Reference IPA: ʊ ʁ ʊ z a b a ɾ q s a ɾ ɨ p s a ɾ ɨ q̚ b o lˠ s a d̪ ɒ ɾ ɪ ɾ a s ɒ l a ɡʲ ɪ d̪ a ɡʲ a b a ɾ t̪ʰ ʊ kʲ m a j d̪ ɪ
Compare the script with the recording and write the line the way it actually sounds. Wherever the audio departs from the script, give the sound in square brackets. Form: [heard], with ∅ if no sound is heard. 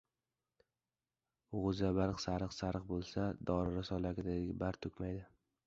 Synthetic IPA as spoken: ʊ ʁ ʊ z a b a ɾ q s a ɾ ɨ [q] s a ɾ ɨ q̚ b o lˠ s a d̪ ɒ ɾ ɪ ɾ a s ɒ l a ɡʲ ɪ d̪ a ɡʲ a b a ɾ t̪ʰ ʊ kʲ m a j d̪ ɪ